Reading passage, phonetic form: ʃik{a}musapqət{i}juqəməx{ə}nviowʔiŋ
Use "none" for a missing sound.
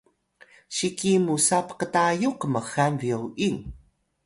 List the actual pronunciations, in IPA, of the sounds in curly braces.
i, a, a

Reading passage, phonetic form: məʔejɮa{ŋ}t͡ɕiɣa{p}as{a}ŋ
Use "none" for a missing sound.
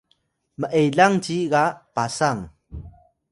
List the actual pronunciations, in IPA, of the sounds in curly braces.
ŋ, p, a

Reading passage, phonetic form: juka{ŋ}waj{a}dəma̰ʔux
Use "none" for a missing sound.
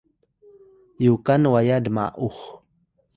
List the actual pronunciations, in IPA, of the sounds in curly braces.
n, a

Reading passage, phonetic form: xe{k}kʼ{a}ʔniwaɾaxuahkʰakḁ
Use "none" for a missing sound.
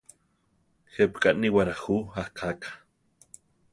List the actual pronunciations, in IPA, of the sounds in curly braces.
p, a

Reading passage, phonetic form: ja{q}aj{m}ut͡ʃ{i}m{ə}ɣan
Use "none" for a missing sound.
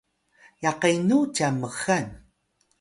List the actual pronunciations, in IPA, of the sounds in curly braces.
q, n, a, ə

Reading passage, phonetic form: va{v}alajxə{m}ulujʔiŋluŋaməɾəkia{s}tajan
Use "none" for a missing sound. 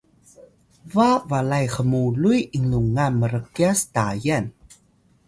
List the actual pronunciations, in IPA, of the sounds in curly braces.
v, m, s

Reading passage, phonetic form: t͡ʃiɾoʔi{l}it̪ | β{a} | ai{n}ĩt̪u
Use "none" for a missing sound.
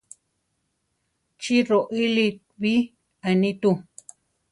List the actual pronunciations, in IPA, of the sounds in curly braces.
l, i, n

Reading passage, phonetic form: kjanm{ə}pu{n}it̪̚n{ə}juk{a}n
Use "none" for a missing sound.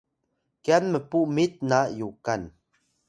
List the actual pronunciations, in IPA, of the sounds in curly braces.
ə, m, a, a

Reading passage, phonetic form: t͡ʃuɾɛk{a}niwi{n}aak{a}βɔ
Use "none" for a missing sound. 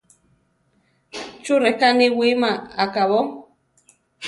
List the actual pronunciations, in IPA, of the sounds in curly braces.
a, m, a

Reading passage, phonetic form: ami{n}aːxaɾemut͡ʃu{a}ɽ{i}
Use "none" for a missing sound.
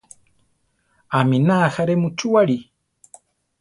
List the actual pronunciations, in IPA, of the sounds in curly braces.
n, a, i

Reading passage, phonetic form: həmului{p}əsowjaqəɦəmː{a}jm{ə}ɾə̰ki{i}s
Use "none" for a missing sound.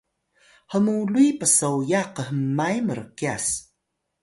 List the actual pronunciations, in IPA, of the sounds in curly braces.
p, a, ə, a

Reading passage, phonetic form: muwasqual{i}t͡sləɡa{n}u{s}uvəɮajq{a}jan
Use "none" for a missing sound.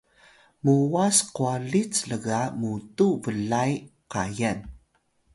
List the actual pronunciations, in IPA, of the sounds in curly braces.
i, m, t, a

